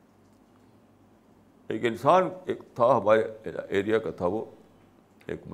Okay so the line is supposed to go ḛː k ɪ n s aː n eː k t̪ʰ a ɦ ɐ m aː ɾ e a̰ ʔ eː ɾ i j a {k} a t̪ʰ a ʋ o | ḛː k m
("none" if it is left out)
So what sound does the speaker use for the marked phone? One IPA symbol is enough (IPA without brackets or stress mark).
k